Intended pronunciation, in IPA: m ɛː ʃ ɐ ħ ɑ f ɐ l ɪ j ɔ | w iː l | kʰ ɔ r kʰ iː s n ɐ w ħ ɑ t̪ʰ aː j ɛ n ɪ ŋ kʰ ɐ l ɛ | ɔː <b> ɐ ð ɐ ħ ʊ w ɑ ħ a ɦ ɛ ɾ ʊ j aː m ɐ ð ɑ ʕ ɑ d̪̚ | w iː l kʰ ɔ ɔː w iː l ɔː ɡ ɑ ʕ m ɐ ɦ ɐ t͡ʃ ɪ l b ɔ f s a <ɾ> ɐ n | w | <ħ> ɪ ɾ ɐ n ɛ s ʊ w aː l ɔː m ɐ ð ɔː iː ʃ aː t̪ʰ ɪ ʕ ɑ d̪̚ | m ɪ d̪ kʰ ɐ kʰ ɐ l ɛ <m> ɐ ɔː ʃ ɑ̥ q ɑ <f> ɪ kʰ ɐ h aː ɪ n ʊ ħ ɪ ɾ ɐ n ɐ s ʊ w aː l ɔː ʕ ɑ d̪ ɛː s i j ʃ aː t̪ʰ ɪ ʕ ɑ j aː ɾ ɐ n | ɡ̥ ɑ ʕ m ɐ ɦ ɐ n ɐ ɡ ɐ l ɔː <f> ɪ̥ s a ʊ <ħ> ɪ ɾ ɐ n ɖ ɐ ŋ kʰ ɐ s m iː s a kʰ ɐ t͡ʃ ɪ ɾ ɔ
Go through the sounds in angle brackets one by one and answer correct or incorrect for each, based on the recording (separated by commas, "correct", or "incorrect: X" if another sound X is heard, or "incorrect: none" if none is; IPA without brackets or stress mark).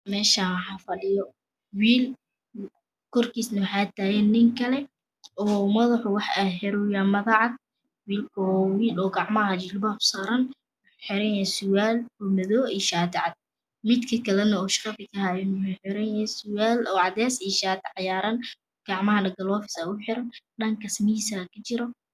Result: incorrect: m, correct, correct, incorrect: n, correct, correct, correct